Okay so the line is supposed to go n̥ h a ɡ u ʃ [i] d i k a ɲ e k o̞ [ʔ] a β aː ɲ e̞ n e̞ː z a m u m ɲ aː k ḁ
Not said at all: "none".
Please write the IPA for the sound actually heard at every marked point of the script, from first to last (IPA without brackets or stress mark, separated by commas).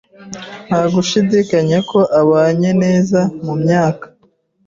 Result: i, ʔ